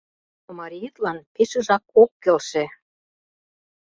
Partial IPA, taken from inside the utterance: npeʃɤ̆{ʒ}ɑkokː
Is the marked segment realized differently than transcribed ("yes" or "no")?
no